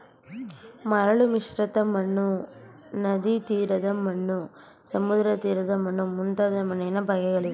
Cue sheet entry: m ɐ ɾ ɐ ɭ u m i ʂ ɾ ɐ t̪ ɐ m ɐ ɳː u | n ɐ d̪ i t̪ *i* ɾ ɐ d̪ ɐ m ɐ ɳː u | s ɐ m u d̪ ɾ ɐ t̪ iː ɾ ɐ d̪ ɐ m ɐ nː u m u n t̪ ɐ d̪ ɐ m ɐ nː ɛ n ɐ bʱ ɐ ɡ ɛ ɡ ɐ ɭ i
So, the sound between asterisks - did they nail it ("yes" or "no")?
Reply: no